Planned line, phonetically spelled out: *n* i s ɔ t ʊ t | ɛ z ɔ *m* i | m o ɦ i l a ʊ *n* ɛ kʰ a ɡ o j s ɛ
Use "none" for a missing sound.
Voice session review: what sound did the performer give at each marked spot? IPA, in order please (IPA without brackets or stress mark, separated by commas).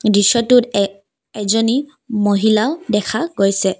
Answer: d, n, d